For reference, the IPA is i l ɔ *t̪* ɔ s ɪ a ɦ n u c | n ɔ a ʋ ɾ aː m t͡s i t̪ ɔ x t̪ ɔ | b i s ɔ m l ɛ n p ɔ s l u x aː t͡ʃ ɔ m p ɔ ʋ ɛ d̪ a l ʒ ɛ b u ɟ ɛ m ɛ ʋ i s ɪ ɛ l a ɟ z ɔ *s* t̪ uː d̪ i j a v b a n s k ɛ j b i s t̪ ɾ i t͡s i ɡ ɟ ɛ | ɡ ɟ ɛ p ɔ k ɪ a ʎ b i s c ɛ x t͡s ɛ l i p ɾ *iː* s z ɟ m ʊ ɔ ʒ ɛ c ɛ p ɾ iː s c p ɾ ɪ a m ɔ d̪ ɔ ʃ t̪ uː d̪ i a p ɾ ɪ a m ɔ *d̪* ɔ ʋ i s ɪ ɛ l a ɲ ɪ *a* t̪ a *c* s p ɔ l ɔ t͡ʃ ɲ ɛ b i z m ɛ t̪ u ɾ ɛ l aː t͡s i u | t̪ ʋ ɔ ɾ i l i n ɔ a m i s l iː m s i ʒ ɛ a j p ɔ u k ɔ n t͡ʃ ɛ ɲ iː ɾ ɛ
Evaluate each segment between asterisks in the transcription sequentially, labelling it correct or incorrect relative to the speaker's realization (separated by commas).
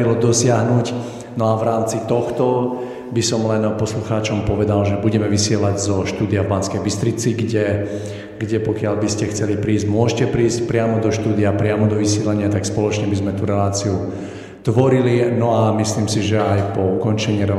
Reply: incorrect, incorrect, correct, correct, correct, incorrect